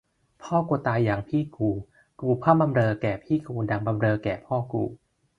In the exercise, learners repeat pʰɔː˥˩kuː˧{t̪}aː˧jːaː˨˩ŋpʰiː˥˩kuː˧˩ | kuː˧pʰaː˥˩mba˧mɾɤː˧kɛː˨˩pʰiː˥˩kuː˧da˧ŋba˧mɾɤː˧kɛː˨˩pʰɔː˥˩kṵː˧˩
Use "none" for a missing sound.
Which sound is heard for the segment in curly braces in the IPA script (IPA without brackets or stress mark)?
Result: t̪